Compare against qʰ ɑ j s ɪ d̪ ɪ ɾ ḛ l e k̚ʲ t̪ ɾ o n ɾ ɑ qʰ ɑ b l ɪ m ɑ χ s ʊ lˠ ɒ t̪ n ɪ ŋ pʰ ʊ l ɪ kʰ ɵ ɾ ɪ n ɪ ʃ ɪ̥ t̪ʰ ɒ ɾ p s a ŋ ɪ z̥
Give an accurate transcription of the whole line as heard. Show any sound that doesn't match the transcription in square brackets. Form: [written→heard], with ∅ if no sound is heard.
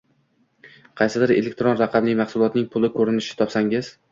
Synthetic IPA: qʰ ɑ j s ɪ d̪ ɪ ɾ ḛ l e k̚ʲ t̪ ɾ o n ɾ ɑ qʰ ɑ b l ɪ m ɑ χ s ʊ lˠ ɒ t̪ n ɪ ŋ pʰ ʊ l ɪ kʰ ɵ ɾ ɪ n ɪ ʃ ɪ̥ t̪ʰ ɒ [ɾ→∅] p s a ŋ ɪ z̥